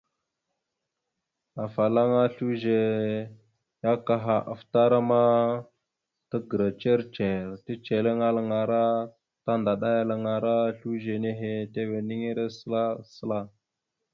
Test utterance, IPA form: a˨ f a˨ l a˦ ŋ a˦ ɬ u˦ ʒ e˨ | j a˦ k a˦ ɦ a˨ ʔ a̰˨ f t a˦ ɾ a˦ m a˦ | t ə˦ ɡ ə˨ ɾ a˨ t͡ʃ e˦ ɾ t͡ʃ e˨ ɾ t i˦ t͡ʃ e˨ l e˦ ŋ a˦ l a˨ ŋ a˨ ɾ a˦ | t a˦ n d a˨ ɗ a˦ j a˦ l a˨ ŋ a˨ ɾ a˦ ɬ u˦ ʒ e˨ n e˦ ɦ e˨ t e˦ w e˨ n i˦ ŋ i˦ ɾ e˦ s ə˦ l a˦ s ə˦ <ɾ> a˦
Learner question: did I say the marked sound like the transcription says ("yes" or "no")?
no